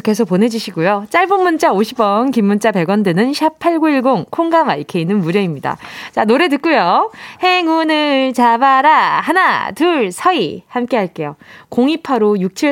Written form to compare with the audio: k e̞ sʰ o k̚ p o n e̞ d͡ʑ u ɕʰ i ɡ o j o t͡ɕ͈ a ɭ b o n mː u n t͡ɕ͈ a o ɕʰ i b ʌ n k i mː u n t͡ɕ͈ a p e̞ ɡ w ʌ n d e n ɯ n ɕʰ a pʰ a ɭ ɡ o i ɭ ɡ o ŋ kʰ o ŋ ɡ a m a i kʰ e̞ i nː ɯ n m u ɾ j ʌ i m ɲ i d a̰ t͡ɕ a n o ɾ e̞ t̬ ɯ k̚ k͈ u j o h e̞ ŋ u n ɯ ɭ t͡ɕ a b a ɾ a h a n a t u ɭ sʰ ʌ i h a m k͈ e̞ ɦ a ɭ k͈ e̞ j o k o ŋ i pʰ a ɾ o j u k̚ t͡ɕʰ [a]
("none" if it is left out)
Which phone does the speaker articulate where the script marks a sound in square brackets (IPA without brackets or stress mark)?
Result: i